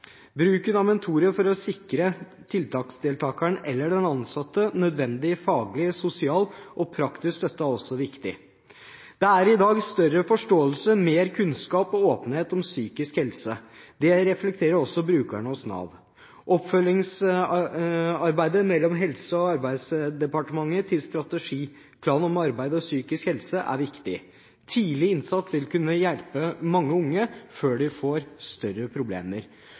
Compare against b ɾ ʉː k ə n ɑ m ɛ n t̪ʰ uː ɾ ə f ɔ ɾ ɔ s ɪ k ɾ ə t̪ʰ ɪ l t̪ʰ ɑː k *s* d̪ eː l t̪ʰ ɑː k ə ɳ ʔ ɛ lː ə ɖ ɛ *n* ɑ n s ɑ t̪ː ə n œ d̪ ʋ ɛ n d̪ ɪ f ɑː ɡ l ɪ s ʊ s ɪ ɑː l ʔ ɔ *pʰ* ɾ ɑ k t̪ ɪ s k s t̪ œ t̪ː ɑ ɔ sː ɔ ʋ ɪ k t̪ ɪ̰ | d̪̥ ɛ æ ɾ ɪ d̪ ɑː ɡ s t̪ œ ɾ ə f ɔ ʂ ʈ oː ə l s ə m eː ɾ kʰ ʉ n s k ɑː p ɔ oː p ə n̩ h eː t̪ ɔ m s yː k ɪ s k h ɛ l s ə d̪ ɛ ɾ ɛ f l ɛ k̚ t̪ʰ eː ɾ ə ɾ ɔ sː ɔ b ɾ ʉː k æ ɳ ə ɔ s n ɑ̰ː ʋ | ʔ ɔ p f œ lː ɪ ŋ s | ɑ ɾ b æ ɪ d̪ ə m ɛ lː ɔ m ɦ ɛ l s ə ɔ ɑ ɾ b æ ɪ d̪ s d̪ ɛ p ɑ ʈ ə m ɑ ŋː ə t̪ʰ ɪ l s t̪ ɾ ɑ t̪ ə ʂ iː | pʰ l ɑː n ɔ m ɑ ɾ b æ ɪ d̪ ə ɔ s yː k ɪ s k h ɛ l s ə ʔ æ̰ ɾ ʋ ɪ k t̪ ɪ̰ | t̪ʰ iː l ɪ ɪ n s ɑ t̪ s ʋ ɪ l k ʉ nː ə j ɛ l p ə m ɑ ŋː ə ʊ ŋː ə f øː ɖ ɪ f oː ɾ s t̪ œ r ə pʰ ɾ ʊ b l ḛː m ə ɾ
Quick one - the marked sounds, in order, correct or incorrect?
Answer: correct, correct, correct

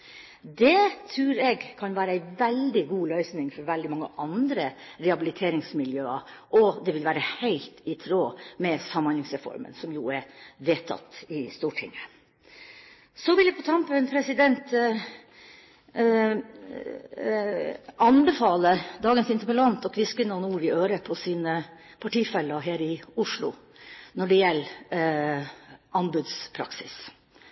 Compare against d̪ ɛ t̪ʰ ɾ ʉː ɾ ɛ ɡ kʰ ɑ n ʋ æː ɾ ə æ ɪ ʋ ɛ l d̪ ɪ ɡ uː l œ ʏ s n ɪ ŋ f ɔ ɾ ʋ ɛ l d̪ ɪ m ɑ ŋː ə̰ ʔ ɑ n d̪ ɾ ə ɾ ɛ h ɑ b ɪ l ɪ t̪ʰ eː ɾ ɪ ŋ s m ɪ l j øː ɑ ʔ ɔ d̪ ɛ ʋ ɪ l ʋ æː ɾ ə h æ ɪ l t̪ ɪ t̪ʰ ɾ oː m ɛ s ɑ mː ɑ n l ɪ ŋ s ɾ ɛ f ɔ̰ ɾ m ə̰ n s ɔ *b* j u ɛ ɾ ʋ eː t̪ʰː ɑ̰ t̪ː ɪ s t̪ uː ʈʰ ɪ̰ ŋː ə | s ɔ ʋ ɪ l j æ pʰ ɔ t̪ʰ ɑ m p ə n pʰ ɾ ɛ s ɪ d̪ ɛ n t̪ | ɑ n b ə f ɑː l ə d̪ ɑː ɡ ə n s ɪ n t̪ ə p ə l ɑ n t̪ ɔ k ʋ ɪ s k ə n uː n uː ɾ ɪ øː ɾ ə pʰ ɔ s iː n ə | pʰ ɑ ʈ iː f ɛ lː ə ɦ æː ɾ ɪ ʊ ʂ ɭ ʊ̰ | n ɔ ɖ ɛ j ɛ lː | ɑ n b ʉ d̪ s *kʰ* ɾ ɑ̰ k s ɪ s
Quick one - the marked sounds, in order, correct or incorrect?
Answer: incorrect, incorrect

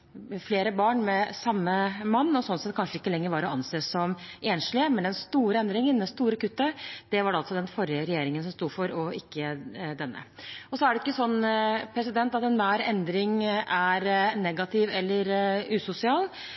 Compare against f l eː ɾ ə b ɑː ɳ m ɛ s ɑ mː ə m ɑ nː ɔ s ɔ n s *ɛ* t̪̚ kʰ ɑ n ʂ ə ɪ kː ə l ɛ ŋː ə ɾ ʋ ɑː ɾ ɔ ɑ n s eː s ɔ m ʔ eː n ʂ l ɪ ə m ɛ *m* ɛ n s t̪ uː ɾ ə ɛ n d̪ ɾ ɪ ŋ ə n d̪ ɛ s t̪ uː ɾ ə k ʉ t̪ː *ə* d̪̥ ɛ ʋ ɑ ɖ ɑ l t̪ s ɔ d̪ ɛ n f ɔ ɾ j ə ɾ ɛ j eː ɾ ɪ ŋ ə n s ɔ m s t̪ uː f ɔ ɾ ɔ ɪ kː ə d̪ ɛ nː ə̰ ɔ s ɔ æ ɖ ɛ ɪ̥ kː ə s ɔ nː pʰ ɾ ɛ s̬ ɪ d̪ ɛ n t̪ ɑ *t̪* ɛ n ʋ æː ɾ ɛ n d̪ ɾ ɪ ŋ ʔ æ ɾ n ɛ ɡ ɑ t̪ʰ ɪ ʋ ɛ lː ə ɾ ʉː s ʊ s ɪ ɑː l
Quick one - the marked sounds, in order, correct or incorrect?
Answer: correct, incorrect, correct, correct

